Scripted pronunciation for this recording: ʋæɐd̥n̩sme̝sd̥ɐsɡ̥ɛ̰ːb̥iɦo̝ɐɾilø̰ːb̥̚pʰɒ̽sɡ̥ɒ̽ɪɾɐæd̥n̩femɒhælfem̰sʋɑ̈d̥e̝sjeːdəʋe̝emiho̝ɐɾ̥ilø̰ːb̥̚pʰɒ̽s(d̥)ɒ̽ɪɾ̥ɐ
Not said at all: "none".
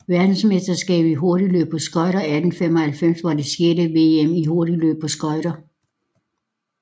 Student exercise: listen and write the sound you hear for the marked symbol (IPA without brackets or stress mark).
ɡ̥